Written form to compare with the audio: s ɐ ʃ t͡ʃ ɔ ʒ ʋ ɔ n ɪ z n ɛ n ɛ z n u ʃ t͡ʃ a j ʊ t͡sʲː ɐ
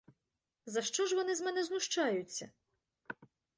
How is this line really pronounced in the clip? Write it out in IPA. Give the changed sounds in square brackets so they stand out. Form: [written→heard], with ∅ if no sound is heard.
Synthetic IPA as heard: [s→z] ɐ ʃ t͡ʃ ɔ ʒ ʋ ɔ n ɪ z [n→m] ɛ n ɛ z n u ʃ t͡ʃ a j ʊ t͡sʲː ɐ